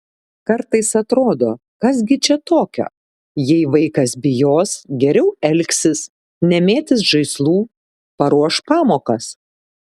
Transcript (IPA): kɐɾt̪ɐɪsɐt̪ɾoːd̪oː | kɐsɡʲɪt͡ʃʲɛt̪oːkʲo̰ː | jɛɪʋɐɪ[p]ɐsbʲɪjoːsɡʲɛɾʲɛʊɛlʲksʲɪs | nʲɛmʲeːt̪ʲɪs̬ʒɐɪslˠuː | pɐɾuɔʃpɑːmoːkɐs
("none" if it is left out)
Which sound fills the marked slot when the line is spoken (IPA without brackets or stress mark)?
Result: k